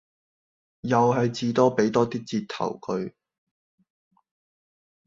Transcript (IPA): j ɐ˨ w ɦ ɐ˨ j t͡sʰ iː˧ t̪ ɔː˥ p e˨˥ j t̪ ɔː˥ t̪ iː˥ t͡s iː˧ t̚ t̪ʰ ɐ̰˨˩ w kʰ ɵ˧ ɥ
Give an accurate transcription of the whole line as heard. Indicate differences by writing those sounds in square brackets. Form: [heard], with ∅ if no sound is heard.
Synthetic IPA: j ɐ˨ w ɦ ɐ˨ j [t͡s] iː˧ t̪ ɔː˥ p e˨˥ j t̪ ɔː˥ t̪ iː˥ t͡s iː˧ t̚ t̪ʰ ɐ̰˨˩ w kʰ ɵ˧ ɥ

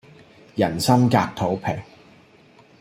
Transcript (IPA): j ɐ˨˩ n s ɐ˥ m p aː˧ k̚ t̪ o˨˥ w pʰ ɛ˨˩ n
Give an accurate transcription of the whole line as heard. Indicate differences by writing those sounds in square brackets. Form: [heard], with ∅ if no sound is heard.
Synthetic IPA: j ɐ˨˩ n s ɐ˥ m [k] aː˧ k̚ [t̪ʰ] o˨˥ w pʰ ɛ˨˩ [ŋ]

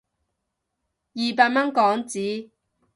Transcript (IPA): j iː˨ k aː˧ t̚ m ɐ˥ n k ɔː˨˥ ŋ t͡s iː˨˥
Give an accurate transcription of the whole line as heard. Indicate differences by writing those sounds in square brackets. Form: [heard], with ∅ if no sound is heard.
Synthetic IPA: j iː˨ [p] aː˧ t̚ m ɐ˥ n k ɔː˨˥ ŋ t͡s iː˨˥

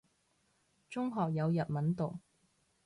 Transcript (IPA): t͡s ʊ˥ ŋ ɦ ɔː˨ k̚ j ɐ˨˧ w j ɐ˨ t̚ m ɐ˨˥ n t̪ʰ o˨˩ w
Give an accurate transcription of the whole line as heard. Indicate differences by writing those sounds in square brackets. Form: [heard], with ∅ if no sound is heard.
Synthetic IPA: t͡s ʊ˥ ŋ ɦ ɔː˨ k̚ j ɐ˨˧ w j ɐ˨ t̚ m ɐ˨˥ n [t̪] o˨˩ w

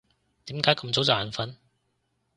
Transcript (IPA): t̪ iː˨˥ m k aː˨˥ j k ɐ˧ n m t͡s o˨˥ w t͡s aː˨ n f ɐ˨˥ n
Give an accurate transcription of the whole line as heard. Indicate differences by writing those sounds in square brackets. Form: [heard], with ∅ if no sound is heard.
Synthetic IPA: t̪ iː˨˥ m k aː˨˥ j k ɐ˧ [∅] m t͡s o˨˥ w t͡s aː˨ n f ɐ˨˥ n

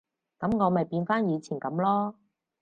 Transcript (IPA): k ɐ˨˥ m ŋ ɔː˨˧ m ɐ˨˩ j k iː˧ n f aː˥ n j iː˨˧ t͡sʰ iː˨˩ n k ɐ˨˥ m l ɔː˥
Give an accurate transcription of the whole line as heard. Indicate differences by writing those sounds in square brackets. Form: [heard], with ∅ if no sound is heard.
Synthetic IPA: k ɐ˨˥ m ŋ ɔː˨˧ m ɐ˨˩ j [p] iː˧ n f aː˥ n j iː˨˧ t͡sʰ iː˨˩ n k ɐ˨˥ m l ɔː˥

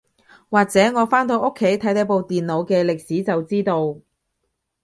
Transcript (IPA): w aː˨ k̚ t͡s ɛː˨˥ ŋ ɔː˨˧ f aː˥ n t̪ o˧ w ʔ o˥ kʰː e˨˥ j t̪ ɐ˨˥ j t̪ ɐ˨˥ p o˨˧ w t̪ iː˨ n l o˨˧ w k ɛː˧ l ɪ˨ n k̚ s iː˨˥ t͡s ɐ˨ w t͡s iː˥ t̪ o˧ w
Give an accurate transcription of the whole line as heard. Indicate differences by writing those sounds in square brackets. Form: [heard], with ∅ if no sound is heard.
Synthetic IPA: w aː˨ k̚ t͡s ɛː˨˥ ŋ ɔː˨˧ f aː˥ n t̪ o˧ w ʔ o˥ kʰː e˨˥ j [t̪ʰ] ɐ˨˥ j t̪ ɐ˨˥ p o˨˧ w t̪ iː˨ n l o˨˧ w k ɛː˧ l ɪ˨ [∅] k̚ s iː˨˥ t͡s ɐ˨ w t͡s iː˥ t̪ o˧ w

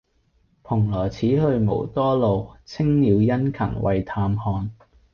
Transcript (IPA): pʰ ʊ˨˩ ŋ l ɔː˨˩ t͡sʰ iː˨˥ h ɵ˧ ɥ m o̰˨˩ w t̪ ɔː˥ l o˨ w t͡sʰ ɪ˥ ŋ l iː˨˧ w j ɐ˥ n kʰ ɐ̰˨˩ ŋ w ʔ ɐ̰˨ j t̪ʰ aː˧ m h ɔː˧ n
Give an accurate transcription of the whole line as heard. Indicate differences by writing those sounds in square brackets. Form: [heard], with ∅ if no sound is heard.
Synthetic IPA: pʰ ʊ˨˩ ŋ l ɔː˨˩ t͡sʰ iː˨˥ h ɵ˧ ɥ m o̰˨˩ w t̪ ɔː˥ l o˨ w t͡sʰ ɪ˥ ŋ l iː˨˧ w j ɐ˥ n kʰ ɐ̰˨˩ ŋ w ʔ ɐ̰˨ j t̪ʰ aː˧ m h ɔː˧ n

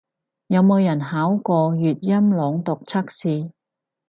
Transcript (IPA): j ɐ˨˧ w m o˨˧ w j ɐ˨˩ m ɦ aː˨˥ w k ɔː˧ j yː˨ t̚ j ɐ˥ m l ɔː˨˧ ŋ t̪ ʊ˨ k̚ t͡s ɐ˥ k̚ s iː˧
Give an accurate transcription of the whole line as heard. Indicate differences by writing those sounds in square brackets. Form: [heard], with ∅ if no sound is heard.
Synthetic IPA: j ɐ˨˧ w m o˨˧ w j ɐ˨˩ [n] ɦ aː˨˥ w k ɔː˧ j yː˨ t̚ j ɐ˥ m l ɔː˨˧ ŋ t̪ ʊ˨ k̚ [t͡sʰ] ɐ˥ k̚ s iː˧

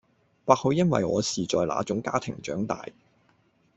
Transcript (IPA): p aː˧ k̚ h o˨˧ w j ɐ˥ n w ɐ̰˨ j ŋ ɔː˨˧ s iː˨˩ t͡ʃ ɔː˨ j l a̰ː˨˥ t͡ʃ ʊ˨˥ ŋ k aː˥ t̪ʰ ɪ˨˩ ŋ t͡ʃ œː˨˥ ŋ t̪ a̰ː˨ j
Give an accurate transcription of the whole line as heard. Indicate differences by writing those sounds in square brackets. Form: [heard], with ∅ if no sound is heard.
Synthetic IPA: p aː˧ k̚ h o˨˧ w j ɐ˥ n w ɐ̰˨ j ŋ ɔː˨˧ s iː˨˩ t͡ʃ ɔː˨ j l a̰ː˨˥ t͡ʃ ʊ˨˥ ŋ k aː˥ t̪ʰ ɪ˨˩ ŋ t͡ʃ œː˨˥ ŋ t̪ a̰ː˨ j

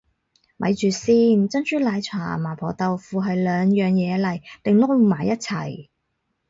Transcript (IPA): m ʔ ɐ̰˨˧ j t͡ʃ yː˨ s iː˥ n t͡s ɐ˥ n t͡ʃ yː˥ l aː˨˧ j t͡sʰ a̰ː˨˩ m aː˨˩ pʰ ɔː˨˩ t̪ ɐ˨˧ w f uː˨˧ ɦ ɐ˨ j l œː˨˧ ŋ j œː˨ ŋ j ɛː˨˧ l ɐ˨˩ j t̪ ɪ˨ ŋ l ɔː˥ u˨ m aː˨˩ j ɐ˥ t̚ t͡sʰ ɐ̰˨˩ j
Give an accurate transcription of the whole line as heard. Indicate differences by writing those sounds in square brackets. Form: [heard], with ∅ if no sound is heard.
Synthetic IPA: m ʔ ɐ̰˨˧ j t͡ʃ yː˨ s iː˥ n t͡s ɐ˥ n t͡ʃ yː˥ l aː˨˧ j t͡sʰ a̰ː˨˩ m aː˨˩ pʰ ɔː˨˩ t̪ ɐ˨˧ w f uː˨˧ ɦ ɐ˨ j l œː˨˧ ŋ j œː˨ ŋ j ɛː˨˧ l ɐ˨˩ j t̪ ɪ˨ ŋ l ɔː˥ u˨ m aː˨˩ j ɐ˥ t̚ t͡sʰ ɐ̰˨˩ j

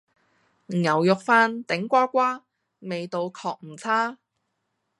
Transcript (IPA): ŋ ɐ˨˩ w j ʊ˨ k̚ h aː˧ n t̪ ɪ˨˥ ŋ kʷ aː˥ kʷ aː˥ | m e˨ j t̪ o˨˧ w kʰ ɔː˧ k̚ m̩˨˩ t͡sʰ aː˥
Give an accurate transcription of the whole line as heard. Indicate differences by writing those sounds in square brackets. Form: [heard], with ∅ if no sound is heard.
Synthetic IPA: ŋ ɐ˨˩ w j ʊ˨ k̚ [f] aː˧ n t̪ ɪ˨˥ ŋ kʷ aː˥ kʷ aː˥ | m e˨ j t̪ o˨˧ w kʰ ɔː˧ k̚ m̩˨˩ t͡sʰ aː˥

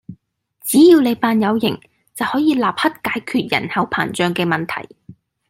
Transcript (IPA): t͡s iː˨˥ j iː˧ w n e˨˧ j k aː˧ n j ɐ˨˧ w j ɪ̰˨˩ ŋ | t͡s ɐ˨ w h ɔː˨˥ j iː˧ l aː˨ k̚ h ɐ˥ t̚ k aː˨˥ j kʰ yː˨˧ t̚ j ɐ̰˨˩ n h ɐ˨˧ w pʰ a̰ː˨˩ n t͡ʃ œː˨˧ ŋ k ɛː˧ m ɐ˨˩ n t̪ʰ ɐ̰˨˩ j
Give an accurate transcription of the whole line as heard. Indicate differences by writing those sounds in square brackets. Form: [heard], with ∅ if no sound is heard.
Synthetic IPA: t͡s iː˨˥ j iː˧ w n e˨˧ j [p] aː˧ n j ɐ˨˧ w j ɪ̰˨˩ ŋ | t͡s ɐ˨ w h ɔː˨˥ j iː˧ l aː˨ [p̚] h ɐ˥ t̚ k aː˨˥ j kʰ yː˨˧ t̚ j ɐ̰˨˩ n h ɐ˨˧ w pʰ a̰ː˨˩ n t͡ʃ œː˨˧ ŋ k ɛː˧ m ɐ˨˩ n t̪ʰ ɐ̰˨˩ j

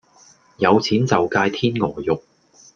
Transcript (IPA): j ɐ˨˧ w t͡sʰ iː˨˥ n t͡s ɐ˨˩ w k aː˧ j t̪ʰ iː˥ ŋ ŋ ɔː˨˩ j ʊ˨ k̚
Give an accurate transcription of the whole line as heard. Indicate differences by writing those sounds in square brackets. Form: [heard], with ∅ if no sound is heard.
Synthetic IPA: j ɐ˨˧ w t͡sʰ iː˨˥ n t͡s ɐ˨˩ w k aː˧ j t̪ʰ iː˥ [n] ŋ ɔː˨˩ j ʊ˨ k̚

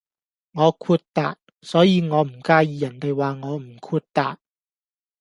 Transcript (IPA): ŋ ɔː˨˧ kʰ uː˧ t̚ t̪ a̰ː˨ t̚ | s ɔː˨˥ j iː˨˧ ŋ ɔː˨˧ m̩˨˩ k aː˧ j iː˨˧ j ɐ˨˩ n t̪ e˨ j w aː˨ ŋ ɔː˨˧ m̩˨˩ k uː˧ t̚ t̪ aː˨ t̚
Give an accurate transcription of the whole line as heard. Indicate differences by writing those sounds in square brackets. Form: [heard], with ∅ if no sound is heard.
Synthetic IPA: ŋ ɔː˨˧ kʰ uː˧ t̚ t̪ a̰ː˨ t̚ | s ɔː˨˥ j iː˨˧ ŋ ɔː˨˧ m̩˨˩ k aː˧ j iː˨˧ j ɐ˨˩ n t̪ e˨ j w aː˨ ŋ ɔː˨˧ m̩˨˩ [kʰ] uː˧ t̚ t̪ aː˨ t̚

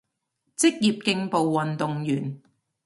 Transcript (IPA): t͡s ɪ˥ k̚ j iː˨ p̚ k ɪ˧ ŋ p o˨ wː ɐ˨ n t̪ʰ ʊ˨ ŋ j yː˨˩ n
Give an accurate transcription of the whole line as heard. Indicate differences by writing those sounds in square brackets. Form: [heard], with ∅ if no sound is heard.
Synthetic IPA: t͡s ɪ˥ k̚ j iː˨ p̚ k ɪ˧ ŋ p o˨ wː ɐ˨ n [t̪] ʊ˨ ŋ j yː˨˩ n

